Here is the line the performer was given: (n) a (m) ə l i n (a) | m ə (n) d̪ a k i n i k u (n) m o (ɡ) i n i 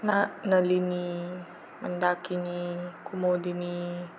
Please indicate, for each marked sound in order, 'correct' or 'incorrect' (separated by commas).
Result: correct, incorrect, incorrect, correct, incorrect, incorrect